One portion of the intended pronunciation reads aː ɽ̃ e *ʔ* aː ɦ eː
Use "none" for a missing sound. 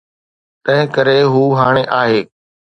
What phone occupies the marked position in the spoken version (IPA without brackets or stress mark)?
ʔ